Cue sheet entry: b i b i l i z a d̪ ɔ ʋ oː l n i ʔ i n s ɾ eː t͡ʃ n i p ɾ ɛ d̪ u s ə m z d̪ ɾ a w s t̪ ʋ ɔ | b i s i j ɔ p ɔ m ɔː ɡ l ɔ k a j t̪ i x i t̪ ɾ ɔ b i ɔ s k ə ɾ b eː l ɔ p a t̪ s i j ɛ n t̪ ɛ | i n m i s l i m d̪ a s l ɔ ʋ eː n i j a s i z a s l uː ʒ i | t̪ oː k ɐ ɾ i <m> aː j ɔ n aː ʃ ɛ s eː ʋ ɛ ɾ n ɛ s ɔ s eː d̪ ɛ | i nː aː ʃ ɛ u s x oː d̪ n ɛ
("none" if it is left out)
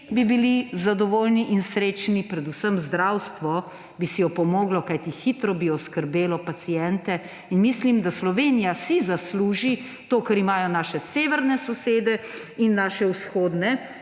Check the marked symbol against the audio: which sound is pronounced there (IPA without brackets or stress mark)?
m